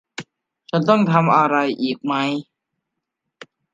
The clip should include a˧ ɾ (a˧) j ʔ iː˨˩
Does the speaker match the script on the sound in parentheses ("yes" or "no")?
yes